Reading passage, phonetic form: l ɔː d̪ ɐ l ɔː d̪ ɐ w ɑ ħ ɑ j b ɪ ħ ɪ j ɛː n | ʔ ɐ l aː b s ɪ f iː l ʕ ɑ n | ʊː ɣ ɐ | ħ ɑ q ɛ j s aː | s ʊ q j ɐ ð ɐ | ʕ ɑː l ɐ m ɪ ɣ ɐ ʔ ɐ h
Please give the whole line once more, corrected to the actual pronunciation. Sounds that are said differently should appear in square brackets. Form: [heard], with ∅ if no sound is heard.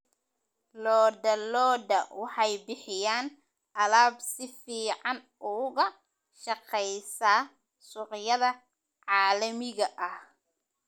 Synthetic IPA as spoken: l ɔː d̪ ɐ l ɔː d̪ ɐ w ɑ ħ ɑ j b ɪ ħ ɪ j [aː] n | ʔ ɐ l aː b s ɪ f iː [∅] ʕ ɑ n | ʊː ɣ ɐ | [ʃ] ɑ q ɛ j s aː | s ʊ q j ɐ ð ɐ | ʕ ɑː l ɐ m ɪ ɣ ɐ ʔ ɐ h